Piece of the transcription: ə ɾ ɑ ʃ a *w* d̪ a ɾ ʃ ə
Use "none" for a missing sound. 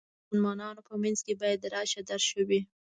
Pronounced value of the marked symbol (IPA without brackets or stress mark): none